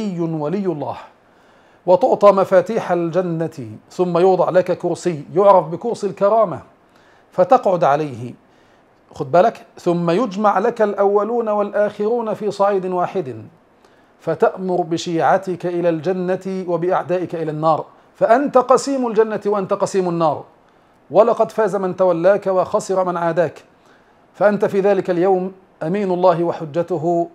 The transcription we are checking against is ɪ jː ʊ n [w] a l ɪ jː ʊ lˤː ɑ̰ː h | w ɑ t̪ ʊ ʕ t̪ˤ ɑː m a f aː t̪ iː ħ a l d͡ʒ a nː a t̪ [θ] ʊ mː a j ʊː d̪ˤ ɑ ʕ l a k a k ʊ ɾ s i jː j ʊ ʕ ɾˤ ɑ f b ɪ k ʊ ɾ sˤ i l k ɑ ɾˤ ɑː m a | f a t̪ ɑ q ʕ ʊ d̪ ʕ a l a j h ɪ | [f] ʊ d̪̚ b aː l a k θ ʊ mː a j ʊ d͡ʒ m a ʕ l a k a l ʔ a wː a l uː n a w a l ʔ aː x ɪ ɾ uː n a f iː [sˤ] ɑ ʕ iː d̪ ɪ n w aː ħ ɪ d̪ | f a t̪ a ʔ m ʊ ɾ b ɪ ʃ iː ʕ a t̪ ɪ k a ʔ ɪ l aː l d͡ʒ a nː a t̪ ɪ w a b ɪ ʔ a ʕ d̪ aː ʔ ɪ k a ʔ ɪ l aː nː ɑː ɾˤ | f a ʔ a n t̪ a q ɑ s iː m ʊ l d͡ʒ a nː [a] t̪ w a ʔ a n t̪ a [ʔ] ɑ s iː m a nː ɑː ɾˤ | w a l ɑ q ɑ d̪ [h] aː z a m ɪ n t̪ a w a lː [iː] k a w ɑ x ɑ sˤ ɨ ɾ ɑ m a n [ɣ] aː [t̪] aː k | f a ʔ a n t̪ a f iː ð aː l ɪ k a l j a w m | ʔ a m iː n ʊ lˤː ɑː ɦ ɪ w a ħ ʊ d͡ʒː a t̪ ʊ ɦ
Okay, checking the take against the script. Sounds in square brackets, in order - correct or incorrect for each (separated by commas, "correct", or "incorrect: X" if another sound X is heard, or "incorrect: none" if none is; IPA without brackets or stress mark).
correct, correct, incorrect: x, correct, correct, incorrect: q, incorrect: f, incorrect: aː, incorrect: ʕ, incorrect: d̪